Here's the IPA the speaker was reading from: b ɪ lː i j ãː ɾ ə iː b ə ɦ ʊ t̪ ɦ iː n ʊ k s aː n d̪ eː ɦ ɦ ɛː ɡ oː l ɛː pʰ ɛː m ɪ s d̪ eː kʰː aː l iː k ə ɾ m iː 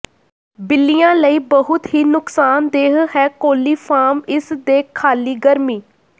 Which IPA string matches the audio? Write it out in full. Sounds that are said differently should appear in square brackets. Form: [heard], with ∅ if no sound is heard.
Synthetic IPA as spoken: b ɪ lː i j ãː [l] ə iː b ə ɦ ʊ t̪ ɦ iː n ʊ k s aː n d̪ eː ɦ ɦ ɛː [k] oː l [iː] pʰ [aː] m ɪ s d̪ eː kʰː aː l iː [ɡ] ə ɾ m iː